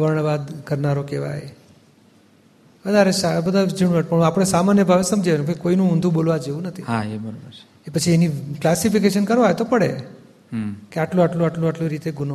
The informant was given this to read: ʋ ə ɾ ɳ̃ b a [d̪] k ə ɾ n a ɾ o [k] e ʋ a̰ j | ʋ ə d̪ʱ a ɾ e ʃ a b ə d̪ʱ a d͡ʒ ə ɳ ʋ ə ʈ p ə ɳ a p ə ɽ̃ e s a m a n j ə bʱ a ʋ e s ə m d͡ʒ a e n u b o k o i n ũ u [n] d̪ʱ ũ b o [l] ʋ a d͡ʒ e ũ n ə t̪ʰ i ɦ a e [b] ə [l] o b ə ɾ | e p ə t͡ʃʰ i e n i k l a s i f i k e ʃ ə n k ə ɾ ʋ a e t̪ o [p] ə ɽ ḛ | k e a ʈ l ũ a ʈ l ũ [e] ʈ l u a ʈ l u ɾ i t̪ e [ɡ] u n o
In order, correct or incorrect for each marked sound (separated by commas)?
correct, correct, correct, correct, correct, incorrect, correct, incorrect, correct